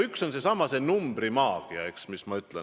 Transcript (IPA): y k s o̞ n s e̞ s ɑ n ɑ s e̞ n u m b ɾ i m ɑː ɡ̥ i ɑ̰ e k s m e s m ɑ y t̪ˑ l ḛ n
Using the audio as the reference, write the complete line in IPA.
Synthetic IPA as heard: y k s o̞ n s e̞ s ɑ m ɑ s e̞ n u m b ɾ i m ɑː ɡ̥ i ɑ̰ e k s m i s m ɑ y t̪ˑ l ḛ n